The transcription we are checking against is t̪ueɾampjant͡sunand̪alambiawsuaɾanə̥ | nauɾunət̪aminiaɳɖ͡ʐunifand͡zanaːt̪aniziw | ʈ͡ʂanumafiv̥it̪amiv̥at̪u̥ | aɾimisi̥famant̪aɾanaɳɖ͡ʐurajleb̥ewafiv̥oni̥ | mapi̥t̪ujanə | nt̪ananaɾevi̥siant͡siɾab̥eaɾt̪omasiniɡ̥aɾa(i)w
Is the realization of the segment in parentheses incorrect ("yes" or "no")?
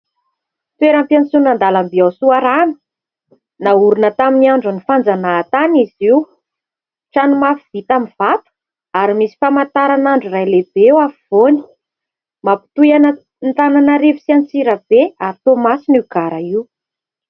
no